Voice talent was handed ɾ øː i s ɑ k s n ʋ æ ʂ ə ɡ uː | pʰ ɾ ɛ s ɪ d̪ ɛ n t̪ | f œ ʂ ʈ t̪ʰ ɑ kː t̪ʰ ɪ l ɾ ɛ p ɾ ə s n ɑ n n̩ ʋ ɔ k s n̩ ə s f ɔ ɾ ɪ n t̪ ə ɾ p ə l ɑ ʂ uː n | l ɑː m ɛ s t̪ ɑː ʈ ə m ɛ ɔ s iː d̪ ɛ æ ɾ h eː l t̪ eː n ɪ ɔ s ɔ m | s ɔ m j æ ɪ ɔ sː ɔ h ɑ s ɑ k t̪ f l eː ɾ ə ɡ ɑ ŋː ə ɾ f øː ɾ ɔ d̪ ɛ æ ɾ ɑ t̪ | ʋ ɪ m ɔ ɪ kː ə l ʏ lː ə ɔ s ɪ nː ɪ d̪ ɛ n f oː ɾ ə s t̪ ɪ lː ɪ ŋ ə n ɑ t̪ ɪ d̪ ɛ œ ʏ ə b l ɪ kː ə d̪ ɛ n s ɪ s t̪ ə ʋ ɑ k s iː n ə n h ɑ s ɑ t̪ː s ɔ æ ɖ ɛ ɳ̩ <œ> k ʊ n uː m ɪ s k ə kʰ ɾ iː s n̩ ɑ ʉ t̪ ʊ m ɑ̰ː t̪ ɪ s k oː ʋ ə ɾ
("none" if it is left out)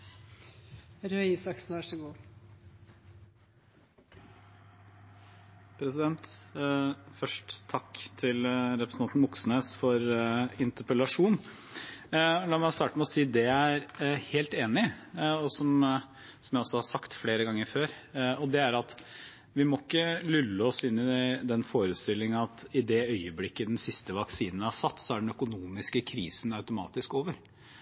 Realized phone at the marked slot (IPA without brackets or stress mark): œ